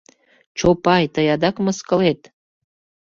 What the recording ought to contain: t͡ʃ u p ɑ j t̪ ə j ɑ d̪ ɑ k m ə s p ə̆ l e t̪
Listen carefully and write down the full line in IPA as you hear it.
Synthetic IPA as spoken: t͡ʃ o p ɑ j t̪ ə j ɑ d̪ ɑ k m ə s k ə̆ l e t̪